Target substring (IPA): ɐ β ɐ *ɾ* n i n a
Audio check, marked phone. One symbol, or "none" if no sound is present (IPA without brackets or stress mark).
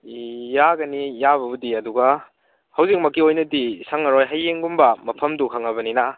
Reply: none